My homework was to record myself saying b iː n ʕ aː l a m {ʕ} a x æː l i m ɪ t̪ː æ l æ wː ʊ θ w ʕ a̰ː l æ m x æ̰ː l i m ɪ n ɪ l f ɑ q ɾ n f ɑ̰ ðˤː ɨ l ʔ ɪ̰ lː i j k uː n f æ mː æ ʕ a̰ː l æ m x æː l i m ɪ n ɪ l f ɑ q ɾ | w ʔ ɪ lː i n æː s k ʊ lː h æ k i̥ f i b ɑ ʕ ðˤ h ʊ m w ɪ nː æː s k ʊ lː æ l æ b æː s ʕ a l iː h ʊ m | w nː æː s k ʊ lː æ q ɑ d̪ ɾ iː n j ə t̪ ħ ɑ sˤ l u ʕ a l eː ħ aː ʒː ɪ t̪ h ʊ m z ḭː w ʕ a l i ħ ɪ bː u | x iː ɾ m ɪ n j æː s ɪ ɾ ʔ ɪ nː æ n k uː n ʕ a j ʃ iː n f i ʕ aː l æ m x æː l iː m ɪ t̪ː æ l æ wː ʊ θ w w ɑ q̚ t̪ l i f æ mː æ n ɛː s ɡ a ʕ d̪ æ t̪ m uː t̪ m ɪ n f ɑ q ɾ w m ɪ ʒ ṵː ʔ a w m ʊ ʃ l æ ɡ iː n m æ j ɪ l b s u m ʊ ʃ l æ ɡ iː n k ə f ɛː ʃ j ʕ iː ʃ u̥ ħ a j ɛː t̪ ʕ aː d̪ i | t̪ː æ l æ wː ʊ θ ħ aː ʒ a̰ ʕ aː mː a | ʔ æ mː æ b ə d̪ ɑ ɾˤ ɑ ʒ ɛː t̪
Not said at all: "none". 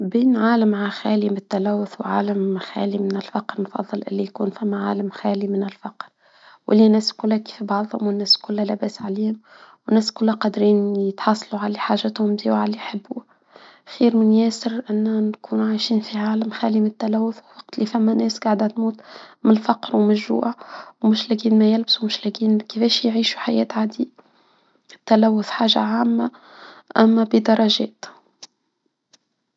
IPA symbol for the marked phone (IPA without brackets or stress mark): ʕ